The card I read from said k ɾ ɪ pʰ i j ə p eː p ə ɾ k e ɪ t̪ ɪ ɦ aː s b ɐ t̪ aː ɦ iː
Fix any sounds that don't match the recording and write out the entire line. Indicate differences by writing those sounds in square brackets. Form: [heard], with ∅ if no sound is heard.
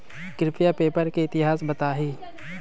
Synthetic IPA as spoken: k ɾ ɪ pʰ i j [a] p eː p ə ɾ k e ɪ t̪ ɪ ɦ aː s b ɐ t̪ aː ɦ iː